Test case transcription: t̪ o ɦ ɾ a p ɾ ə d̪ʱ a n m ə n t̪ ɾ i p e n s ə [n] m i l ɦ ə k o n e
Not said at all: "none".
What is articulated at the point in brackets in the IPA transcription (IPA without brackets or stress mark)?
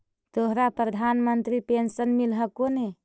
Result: n